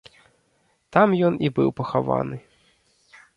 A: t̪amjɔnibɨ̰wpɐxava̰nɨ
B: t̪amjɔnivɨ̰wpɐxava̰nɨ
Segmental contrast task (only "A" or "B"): A